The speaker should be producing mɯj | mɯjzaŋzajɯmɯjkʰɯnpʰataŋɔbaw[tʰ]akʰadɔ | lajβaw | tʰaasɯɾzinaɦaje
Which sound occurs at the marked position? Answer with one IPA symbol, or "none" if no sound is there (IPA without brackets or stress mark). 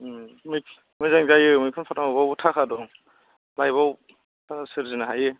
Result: tʰ